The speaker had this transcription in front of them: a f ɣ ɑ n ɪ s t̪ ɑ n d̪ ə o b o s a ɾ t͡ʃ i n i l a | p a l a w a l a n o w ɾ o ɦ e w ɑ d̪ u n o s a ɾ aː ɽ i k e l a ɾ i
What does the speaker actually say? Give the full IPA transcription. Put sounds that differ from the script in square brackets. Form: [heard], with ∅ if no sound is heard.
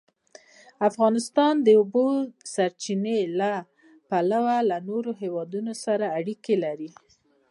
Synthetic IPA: a f ɣ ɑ n ɪ s t̪ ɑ n d̪ ə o b o s a ɾ t͡ʃ i n [e] l a | p a l a w a l a n o [∅] ɾ o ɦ e w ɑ d̪ u n o s a ɾ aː ɽ i k e l a ɾ i